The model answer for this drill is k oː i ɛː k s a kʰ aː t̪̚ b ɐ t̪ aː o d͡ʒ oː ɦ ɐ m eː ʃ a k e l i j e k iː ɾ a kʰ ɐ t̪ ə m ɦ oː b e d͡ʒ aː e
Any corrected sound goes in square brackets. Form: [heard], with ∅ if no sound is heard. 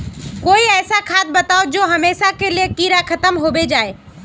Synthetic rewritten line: k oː i ɛː [∅] s a kʰ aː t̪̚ b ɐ t̪ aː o d͡ʒ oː ɦ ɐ m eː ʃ a k e l i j e k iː ɾ a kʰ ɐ t̪ ə m ɦ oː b e d͡ʒ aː e